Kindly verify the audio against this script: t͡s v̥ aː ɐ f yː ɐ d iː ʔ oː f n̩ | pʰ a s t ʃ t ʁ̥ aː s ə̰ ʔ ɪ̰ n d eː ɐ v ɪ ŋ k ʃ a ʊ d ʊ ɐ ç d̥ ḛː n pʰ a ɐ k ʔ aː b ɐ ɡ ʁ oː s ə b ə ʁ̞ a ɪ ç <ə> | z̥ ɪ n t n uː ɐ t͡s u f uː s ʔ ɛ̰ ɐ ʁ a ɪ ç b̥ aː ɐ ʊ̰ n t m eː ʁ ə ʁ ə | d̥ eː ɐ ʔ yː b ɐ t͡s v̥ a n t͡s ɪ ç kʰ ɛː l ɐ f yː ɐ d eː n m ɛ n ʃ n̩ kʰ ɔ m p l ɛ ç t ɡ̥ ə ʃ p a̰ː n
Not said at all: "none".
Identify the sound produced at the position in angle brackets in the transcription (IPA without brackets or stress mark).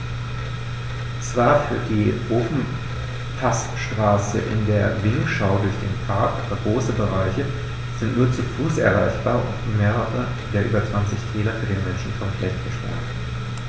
ə